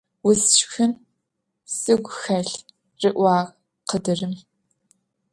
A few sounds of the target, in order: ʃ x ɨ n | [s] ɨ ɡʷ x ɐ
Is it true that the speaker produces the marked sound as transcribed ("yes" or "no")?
yes